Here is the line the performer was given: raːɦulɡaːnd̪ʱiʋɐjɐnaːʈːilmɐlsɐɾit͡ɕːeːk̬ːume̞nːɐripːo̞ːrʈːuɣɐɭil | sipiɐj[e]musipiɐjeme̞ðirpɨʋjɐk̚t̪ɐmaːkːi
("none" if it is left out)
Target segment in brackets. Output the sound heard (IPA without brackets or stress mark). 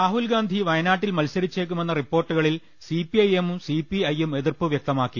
e